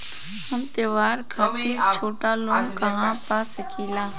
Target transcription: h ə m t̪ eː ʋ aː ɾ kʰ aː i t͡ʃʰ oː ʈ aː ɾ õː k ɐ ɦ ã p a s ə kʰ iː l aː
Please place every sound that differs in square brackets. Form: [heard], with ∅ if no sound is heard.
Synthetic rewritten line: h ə m t̪ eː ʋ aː ɾ kʰ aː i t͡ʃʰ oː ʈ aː [l] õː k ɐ ɦ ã p a s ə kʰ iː l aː